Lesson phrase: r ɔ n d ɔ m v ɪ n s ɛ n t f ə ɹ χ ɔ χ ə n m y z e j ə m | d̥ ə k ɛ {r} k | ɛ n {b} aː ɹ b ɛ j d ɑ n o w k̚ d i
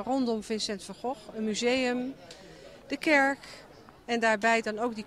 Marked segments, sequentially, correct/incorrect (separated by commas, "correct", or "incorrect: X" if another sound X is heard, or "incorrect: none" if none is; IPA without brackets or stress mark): incorrect: ɹ, incorrect: d